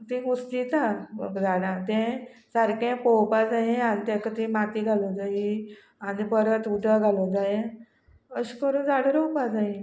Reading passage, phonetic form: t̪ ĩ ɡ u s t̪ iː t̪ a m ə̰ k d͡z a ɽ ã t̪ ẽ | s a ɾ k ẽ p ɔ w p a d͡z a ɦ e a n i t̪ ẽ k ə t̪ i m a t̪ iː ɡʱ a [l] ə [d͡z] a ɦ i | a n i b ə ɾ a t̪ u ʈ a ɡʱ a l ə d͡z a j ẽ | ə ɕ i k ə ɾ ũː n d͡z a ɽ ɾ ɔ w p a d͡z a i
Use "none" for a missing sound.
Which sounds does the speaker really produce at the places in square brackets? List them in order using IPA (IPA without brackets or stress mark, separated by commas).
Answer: l, d͡z